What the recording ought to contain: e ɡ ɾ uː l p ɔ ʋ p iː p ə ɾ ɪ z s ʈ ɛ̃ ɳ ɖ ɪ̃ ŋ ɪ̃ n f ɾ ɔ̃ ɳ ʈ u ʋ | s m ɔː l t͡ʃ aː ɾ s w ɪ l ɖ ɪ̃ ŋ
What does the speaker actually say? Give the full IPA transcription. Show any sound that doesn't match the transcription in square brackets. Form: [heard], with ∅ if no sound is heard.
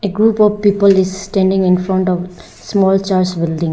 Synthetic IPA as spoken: e ɡ ɾ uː [∅] p ɔ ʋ p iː p ə [l] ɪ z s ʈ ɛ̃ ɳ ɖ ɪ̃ ŋ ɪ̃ n f ɾ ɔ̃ ɳ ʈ [ɔ] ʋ | s m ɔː l t͡ʃ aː ɾ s [b] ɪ l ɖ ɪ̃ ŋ

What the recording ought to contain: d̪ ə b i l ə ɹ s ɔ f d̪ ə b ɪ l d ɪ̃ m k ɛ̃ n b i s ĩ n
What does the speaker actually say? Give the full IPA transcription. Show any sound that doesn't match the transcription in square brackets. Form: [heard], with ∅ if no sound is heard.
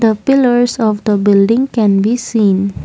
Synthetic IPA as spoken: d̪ ə [p] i l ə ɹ s ɔ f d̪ ə b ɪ l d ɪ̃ [ŋ] k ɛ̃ n b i s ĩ n

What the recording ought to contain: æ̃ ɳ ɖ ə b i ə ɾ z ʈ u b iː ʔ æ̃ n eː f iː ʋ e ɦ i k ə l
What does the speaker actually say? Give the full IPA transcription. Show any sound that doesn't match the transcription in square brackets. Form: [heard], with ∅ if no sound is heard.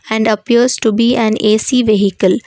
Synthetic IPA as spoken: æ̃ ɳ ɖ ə [p] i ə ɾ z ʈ u b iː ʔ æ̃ n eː [s] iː ʋ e ɦ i k ə l

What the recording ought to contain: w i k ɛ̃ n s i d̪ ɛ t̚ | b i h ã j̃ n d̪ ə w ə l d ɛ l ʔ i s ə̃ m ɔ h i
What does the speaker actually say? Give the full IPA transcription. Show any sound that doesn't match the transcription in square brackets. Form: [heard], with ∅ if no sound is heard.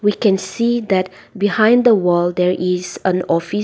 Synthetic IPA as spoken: w i k ɛ̃ n s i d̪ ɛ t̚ | b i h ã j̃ n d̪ ə w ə l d ɛ [ɹ] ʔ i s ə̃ [n] ɔ [f] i

